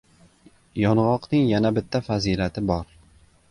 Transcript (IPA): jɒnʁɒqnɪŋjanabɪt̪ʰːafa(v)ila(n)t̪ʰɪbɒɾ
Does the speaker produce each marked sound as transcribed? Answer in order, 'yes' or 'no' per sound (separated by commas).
no, no